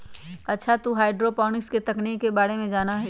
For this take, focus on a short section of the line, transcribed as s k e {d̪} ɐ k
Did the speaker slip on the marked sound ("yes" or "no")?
yes